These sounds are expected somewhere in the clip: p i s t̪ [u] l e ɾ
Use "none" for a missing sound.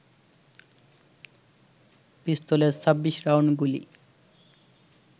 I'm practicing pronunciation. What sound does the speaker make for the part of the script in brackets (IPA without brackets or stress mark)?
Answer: o